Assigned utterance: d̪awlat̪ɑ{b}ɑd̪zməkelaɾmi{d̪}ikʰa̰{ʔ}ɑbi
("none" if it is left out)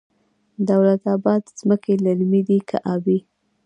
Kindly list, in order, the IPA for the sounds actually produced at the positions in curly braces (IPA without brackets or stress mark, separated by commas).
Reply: b, d̪, ʔ